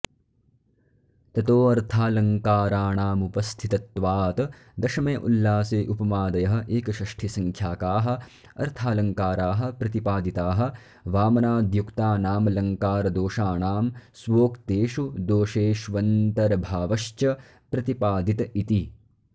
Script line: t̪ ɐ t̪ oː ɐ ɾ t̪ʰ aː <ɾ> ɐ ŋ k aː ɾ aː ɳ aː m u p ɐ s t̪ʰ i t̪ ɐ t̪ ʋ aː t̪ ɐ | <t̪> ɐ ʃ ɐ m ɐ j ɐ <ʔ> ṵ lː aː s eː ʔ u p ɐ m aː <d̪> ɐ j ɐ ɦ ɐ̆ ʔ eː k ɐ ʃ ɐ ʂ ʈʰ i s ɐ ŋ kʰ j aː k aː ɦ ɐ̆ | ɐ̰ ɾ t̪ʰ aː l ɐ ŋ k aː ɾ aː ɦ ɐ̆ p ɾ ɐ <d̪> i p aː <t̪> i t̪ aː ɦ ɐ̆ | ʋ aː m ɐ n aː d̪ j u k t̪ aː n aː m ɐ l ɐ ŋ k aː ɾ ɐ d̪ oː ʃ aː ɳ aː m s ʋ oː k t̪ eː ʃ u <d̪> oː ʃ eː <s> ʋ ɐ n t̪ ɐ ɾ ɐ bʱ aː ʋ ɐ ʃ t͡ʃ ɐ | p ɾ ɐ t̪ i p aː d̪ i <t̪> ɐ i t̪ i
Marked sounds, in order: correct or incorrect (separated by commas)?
incorrect, incorrect, correct, correct, incorrect, incorrect, correct, incorrect, correct